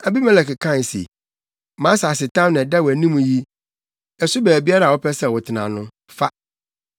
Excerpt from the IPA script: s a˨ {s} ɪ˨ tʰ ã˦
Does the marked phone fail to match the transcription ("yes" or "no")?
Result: no